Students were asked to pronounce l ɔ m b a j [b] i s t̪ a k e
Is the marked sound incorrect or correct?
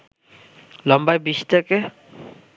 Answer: correct